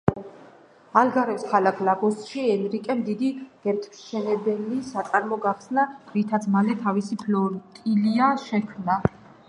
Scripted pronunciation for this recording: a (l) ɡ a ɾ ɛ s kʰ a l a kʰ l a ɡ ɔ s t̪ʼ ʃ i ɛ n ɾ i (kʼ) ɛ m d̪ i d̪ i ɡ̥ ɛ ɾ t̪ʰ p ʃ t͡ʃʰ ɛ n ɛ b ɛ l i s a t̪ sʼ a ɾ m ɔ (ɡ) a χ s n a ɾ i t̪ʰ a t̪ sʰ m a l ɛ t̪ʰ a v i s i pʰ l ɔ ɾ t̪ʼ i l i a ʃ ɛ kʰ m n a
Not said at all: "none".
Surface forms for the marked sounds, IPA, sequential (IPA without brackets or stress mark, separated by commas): l, kʼ, ɡ